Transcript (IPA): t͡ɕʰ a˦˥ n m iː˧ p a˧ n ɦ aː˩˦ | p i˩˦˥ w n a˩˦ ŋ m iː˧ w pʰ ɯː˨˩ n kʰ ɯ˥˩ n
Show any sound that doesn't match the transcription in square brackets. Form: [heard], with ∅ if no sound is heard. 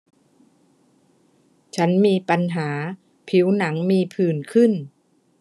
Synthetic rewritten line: t͡ɕʰ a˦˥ n m iː˧ p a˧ n ɦ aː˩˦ | [pʰ] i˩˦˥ w n a˩˦ ŋ m iː˧ [∅] pʰ ɯː˨˩ n kʰ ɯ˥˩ n